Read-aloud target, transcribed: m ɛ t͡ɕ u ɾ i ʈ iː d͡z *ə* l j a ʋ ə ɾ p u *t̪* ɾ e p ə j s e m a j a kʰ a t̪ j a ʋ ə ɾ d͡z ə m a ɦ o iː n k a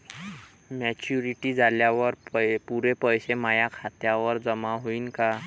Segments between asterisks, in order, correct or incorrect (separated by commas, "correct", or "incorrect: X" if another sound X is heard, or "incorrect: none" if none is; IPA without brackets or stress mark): incorrect: a, incorrect: none